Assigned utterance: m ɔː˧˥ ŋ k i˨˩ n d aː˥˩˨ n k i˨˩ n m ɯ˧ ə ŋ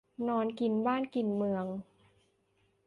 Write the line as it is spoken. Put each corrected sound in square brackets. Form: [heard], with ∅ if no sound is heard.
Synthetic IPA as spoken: [n] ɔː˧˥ [n] k i˨˩ n [b] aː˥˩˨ n k i˨˩ n m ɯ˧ ə ŋ